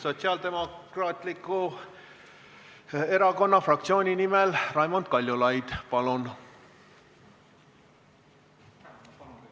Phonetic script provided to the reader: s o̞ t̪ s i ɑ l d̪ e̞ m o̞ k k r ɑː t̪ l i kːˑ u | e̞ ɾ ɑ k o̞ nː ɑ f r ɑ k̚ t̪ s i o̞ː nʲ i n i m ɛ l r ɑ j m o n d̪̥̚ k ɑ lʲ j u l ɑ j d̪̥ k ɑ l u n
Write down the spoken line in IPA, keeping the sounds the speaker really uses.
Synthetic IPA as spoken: s o̞ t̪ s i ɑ l d̪ e̞ m o̞ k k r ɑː t̪ l i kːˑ u | e̞ ɾ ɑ k o̞ nː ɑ f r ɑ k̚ t̪ s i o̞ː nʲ i n i m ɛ l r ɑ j m o n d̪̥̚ k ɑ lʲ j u l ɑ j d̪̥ p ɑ l u n